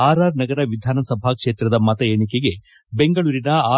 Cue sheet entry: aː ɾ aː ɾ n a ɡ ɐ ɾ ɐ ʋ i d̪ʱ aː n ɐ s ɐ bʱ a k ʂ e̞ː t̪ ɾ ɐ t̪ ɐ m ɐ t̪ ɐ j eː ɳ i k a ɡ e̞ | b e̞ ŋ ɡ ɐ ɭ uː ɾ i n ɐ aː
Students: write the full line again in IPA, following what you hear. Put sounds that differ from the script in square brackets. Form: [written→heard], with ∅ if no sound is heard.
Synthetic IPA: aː ɾ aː ɾ n [a→ɐ] ɡ ɐ ɾ ɐ ʋ i d̪ʱ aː n ɐ s ɐ bʱ a k ʂ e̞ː t̪ ɾ ɐ [t̪→d̪] ɐ m ɐ t̪ ɐ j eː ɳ i k [a→e] ɡ e̞ | b e̞ ŋ ɡ ɐ ɭ uː ɾ i n ɐ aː

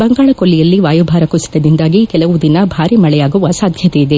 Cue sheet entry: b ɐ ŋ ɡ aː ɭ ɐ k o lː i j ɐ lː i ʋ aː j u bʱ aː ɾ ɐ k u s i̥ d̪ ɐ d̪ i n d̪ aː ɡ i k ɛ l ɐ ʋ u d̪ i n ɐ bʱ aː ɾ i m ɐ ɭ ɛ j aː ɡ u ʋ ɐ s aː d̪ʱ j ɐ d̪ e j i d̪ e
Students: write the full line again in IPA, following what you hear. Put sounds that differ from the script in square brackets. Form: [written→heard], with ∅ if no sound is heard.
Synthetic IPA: b ɐ ŋ ɡ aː ɭ ɐ k o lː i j ɐ lː i ʋ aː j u bʱ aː ɾ ɐ k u s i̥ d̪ ɐ d̪ i n d̪ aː ɡ i k ɛ l ɐ ʋ u d̪ i n ɐ bʱ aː ɾ i m ɐ ɭ ɛ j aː ɡ u ʋ ɐ s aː d̪ʱ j ɐ [d̪→t̪] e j i d̪ e

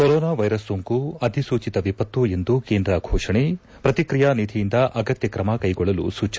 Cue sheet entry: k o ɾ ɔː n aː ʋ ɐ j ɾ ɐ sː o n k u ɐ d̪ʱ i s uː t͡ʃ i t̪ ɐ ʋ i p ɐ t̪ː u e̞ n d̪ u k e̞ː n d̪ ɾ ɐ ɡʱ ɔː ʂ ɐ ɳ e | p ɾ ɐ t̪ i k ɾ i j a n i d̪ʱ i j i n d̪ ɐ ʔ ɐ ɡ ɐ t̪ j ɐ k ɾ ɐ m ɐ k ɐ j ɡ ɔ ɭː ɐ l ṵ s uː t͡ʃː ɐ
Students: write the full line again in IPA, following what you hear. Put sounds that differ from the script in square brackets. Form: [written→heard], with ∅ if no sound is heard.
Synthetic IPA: k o ɾ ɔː n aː ʋ ɐ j ɾ ɐ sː o [n→ŋ] k u ɐ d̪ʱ i s uː t͡ʃ i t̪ ɐ ʋ i p ɐ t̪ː u e̞ n d̪ u k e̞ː n d̪ ɾ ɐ ɡʱ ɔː ʂ ɐ ɳ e | p ɾ ɐ t̪ i k ɾ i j a n i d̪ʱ i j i n d̪ ɐ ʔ ɐ ɡ ɐ t̪ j ɐ k ɾ ɐ m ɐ k ɐ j ɡ ɔ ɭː ɐ l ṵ s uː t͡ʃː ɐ

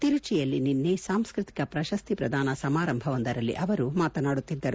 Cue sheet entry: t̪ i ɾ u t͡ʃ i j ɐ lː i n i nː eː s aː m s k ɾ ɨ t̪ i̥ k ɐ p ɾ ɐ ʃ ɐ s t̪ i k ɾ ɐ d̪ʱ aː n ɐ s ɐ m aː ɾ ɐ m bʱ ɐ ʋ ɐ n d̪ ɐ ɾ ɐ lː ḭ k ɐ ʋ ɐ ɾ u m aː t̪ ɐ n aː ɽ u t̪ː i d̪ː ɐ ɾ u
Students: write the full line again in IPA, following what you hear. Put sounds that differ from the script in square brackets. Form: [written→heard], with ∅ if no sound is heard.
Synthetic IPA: t̪ i ɾ u t͡ʃ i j ɐ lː i n i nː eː s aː m s k ɾ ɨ t̪ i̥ k ɐ p ɾ ɐ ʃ ɐ s t̪ i [k→p] ɾ ɐ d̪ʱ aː n ɐ s ɐ m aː ɾ ɐ m bʱ ɐ ʋ ɐ n d̪ ɐ ɾ ɐ lː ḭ [k→ʔ] ɐ ʋ ɐ ɾ u m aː t̪ ɐ n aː ɽ u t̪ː i d̪ː ɐ ɾ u

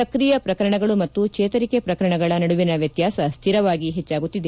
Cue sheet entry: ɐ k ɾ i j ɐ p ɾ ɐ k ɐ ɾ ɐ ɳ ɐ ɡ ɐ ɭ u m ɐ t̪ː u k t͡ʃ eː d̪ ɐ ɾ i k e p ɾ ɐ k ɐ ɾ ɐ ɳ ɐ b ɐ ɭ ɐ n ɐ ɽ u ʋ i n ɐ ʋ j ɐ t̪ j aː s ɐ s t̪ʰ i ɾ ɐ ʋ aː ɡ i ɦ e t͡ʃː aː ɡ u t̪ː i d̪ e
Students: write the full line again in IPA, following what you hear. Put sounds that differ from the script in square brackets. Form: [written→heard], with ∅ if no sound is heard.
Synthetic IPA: ɐ k ɾ i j ɐ p ɾ ɐ k ɐ ɾ ɐ ɳ ɐ ɡ ɐ ɭ u m ɐ t̪ː u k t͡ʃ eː [d̪→t̪] ɐ ɾ i k e p ɾ ɐ k ɐ ɾ ɐ ɳ ɐ [b→ɡ] ɐ ɭ ɐ n ɐ ɽ u ʋ i n ɐ ʋ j ɐ t̪ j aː s ɐ s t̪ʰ i ɾ ɐ ʋ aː ɡ i ɦ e t͡ʃː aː ɡ u t̪ː i d̪ e

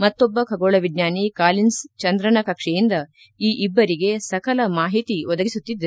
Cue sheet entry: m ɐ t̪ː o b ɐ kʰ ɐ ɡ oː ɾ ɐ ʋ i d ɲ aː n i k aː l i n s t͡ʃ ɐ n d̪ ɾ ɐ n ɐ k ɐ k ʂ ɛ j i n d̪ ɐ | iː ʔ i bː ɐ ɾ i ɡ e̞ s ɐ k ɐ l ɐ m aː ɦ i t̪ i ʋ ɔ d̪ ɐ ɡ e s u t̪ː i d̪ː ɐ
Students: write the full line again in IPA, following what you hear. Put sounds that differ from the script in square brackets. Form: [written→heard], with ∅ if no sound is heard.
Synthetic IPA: m ɐ t̪ː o [b→bː] ɐ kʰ ɐ ɡ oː [ɾ→ɭ] ɐ ʋ i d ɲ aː n i k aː l i n s t͡ʃ ɐ n d̪ ɾ ɐ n ɐ k ɐ k ʂ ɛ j i n d̪ ɐ | iː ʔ i bː ɐ ɾ i ɡ e̞ s ɐ k ɐ l ɐ m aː ɦ i t̪ i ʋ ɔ d̪ ɐ ɡ [e→i] s u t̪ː i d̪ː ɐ

